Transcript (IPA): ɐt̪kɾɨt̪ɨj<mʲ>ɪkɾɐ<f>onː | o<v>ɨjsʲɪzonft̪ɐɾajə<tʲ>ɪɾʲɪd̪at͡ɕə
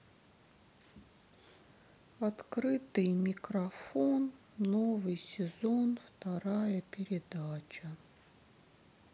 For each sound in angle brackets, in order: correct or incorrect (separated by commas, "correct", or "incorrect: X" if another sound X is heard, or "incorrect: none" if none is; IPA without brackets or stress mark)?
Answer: correct, correct, correct, incorrect: pʲ